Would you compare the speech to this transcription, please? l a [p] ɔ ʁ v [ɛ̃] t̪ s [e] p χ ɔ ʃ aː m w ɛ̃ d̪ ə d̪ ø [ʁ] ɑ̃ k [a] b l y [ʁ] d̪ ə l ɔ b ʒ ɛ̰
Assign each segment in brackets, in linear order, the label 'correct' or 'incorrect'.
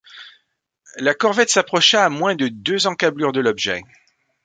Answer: incorrect: k, incorrect: ɛ, incorrect: a, incorrect: z, correct, correct

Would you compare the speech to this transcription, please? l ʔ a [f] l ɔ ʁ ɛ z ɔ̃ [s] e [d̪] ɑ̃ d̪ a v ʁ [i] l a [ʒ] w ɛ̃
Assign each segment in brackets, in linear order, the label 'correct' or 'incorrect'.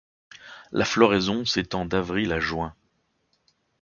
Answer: correct, correct, incorrect: t̪, correct, correct

